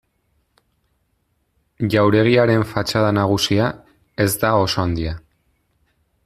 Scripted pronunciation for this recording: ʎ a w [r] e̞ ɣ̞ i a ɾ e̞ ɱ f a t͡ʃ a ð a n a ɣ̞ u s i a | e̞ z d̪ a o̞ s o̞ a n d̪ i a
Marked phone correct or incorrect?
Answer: incorrect